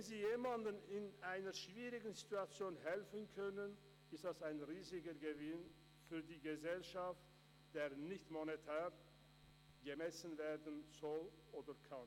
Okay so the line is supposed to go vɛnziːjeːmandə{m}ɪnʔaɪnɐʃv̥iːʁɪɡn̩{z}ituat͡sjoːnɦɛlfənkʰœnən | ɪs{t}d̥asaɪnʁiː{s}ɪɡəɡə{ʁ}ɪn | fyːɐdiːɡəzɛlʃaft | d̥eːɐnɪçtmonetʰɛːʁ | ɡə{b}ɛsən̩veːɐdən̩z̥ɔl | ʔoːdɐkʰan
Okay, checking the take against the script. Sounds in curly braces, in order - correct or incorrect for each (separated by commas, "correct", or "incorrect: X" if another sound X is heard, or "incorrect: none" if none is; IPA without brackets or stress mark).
incorrect: n, correct, correct, incorrect: z, incorrect: v, incorrect: m